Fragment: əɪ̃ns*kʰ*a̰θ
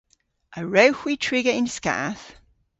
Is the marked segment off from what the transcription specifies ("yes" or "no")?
yes